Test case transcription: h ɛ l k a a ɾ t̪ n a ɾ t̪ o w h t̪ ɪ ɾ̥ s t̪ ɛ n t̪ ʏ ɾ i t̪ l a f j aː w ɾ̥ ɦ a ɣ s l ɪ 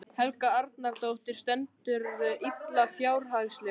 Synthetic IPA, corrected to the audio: h ɛ l k a a ɾ t̪ n a ɾ t̪ o w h t̪ ɪ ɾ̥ s t̪ ɛ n t̪ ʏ ɾ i t̪ l a f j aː w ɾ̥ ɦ a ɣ s l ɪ